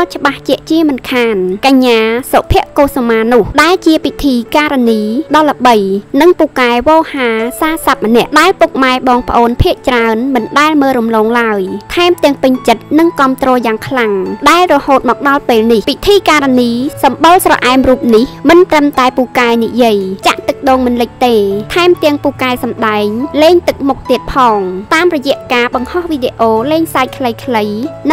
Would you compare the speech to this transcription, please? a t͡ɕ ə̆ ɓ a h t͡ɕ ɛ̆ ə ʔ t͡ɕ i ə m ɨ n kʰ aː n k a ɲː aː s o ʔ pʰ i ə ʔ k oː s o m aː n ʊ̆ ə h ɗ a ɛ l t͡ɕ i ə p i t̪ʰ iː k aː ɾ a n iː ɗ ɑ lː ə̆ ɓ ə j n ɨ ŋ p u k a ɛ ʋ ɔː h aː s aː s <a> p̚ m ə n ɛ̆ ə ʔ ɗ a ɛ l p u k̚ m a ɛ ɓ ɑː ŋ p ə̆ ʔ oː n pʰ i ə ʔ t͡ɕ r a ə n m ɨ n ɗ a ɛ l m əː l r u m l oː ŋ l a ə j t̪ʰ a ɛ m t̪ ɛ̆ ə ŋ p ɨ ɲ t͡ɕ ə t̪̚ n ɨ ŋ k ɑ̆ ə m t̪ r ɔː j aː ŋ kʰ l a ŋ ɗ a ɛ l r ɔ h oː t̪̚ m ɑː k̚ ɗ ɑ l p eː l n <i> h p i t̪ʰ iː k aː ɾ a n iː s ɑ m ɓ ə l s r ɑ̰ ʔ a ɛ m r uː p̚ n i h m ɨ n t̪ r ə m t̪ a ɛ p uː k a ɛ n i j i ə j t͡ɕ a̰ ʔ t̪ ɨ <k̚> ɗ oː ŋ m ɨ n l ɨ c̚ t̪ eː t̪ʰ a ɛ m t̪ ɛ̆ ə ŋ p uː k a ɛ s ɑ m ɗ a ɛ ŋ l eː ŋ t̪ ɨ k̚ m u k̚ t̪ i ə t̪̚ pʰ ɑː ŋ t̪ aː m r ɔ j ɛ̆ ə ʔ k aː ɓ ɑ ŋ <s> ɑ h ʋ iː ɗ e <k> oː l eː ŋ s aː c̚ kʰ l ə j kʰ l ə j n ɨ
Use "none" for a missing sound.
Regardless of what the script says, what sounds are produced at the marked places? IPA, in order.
a, i, k̚, h, ʔ

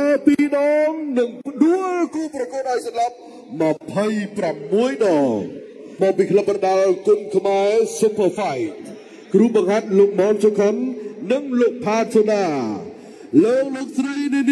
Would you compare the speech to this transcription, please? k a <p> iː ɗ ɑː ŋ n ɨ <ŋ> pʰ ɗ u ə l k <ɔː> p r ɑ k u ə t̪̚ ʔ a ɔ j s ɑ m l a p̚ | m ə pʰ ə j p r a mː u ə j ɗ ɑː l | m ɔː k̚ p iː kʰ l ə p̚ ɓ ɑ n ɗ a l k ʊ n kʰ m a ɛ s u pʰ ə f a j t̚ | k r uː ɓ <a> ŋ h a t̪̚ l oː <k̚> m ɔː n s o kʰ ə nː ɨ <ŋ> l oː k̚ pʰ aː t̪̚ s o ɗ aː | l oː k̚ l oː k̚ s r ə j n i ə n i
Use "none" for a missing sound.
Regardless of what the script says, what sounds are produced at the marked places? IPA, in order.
p, ŋ, uː, ɑ, k̚, ŋ

